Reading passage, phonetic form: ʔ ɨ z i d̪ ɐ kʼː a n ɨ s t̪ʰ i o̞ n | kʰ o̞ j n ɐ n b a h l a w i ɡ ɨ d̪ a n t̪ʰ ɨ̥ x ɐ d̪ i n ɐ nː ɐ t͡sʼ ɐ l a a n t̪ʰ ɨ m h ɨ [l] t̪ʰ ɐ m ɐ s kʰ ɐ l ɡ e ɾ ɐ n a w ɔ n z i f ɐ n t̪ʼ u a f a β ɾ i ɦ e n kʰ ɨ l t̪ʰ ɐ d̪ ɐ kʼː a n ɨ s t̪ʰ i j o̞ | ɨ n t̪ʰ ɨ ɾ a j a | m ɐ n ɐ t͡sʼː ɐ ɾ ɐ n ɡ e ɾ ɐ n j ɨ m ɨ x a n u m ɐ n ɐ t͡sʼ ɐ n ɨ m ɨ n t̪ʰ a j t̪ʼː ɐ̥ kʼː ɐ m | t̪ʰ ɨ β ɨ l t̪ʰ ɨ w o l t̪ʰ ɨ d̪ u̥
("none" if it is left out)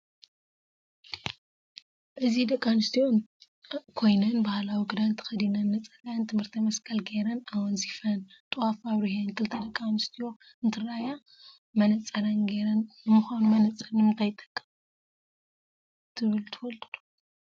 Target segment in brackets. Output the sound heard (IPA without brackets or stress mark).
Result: ɾ